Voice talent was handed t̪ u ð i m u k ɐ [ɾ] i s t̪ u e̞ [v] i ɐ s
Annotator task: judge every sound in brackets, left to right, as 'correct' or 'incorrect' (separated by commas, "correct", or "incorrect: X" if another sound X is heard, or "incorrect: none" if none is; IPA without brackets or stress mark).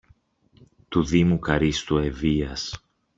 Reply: correct, correct